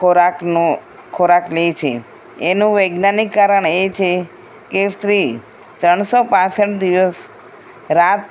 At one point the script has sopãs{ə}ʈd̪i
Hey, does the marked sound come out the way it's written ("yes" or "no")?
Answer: yes